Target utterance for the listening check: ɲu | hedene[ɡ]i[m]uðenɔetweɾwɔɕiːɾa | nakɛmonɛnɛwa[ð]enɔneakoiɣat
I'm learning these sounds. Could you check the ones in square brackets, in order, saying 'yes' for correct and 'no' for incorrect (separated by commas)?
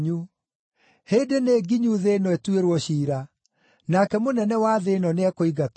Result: yes, no, yes